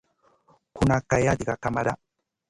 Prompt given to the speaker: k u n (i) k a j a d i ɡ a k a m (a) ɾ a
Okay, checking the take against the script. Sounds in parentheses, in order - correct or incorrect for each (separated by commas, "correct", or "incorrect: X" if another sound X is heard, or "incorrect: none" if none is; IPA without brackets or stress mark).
incorrect: a, correct